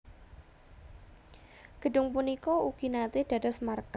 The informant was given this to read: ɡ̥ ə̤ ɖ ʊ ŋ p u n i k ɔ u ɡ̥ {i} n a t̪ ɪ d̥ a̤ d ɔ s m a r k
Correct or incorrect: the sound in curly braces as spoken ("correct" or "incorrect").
correct